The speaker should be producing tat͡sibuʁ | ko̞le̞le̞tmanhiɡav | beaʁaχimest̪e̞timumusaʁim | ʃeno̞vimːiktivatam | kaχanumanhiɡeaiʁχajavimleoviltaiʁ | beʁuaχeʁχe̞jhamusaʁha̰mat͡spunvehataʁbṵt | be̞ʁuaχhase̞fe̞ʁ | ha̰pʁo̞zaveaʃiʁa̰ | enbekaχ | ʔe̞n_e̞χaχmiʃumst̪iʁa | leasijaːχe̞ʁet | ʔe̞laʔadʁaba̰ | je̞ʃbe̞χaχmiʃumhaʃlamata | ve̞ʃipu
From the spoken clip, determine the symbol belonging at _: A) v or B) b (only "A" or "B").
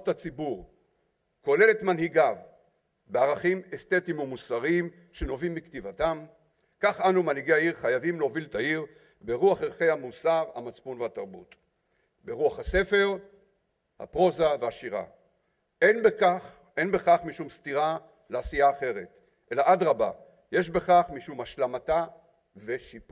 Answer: B